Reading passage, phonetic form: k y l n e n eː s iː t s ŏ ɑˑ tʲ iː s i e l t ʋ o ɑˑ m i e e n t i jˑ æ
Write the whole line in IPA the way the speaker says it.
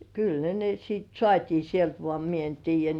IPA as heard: k y l n e n e s iː t s ŏ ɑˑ tʲ iː s i e l t ʋ o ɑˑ m i e e n t iː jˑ æ